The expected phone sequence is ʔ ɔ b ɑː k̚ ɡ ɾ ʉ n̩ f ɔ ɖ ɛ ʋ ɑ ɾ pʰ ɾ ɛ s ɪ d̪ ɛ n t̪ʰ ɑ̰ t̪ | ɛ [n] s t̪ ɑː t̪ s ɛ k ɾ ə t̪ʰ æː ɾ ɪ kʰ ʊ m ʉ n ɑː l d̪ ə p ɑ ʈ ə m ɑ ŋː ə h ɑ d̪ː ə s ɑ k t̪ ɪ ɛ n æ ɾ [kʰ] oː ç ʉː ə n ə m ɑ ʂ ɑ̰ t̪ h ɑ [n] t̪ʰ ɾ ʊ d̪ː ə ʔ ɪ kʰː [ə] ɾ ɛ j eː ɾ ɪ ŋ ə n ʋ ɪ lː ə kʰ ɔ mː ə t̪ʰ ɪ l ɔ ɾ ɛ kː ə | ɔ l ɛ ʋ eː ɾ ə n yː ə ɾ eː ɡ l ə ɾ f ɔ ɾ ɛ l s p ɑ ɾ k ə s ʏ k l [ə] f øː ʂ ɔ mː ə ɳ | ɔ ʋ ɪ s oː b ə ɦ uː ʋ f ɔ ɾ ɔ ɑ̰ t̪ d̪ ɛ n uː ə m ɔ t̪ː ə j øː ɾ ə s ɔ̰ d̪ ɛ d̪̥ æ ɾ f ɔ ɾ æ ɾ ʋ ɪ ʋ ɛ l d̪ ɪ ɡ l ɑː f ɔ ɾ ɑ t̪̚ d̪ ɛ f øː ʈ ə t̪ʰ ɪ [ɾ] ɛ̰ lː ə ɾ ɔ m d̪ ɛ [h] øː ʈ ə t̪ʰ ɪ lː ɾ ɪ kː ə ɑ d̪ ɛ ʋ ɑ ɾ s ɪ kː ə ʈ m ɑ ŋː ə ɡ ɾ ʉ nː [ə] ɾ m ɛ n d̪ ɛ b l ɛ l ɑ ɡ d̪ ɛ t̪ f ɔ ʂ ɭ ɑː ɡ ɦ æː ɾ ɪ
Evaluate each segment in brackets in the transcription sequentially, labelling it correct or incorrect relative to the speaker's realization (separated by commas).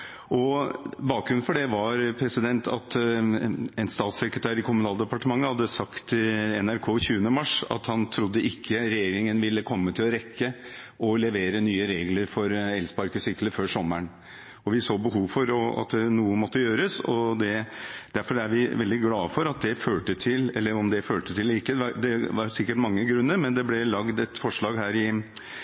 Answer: correct, correct, correct, correct, correct, incorrect, incorrect, correct